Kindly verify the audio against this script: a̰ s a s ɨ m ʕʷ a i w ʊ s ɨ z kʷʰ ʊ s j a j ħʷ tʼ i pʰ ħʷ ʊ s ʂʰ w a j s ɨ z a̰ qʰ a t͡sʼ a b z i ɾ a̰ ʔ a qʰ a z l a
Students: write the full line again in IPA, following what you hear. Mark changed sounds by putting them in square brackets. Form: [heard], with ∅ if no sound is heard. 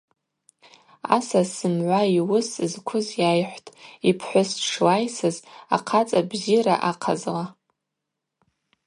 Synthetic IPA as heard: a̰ s a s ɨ m ʕʷ a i w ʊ s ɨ z kʷʰ ʊ [z] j a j ħʷ tʼ i pʰ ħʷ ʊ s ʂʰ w a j s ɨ z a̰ qʰ a t͡sʼ a b z i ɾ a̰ ʔ a qʰ a z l a